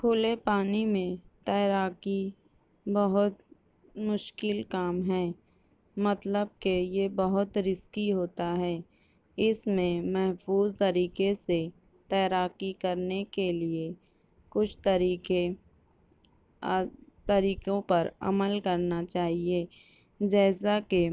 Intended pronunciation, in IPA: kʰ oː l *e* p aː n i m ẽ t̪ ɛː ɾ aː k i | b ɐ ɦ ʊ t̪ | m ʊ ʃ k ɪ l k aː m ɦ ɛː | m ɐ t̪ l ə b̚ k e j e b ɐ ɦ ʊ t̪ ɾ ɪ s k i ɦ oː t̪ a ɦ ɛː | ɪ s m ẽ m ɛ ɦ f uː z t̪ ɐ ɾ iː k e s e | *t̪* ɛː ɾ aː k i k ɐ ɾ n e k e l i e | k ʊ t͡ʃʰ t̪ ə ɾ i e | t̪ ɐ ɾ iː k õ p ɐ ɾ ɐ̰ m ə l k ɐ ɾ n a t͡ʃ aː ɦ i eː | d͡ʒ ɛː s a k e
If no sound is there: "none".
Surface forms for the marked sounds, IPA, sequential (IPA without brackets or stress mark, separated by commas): e, t̪